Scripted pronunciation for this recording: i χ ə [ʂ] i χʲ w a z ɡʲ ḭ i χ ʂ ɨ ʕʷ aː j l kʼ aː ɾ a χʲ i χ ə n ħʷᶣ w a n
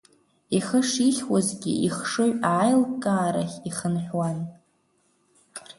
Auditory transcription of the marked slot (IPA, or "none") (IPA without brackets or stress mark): ʂ